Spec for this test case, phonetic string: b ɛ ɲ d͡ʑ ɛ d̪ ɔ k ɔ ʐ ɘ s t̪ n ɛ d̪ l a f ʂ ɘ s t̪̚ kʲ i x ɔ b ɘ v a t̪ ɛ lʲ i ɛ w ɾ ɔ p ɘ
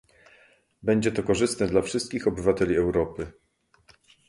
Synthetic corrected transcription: b ɛ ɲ d͡ʑ ɛ t̪ ɔ k ɔ ʐ ɘ s t̪ n ɛ d̪ l a f ʂ ɘ s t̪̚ kʲ i x ɔ b ɘ v a t̪ ɛ lʲ i ɛ w ɾ ɔ p ɘ